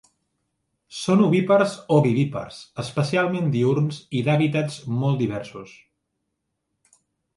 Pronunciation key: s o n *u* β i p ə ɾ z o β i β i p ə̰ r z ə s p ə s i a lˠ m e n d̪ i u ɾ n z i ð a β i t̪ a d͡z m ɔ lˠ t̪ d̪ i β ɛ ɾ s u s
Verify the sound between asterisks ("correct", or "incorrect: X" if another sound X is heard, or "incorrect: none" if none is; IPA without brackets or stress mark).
correct